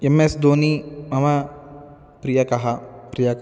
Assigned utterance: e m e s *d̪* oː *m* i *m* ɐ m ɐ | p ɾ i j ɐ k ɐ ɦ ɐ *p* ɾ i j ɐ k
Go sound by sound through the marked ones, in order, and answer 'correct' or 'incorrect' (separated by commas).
correct, incorrect, correct, correct